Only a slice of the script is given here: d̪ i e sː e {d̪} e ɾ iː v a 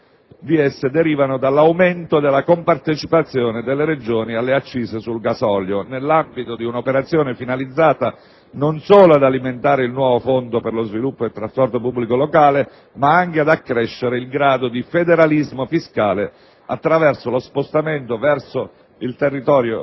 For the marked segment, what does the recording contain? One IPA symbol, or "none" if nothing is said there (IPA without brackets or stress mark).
d̪